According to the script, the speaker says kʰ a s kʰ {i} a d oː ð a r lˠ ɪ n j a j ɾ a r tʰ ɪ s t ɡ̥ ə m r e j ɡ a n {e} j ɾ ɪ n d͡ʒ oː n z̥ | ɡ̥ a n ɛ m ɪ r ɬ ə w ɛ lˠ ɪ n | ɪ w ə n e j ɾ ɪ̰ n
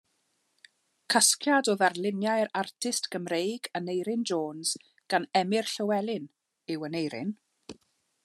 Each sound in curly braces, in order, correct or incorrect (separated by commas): incorrect, correct